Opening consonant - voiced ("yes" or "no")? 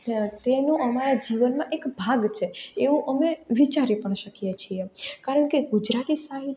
no